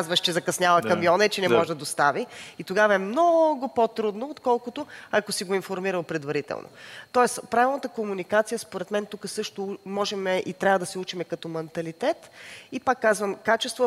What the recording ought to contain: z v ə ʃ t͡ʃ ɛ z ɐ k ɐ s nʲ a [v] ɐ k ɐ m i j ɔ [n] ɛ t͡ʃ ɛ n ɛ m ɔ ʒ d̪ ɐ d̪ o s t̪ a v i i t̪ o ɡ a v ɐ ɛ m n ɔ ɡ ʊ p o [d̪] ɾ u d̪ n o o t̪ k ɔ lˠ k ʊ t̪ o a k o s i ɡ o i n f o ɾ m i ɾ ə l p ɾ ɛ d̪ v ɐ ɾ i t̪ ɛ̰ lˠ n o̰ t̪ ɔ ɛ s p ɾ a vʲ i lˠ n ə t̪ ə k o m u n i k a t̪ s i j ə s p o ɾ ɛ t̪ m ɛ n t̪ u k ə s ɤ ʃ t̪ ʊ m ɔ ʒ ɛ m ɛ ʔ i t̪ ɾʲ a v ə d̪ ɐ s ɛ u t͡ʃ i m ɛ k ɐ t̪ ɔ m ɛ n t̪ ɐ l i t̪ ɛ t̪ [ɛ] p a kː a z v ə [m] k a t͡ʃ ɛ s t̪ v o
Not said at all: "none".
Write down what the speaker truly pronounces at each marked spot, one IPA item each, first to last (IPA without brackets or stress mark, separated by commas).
v, n, t̪, i, m